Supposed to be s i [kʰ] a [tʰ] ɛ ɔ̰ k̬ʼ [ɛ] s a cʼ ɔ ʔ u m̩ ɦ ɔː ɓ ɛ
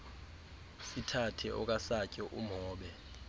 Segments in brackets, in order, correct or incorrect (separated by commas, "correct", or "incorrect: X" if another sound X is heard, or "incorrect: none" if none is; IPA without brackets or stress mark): incorrect: tʰ, correct, incorrect: a